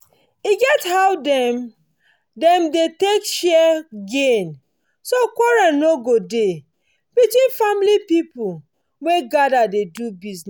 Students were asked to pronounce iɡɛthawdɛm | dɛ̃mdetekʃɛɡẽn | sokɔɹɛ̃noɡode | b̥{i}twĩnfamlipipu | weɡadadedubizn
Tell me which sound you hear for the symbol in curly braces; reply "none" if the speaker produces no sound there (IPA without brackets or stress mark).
i